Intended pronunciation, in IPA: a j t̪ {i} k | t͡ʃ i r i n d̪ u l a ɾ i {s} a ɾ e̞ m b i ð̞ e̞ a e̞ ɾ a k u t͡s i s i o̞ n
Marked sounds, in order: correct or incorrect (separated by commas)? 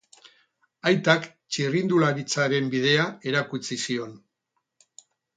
incorrect, incorrect